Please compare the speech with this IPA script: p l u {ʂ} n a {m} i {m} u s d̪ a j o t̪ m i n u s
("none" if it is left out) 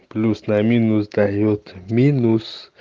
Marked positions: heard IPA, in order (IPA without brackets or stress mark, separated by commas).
s, m, n